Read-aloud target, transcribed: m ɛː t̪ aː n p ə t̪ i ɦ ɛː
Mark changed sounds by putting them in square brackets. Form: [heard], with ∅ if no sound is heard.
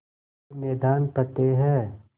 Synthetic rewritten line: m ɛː [d̪] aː n p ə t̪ [e] ɦ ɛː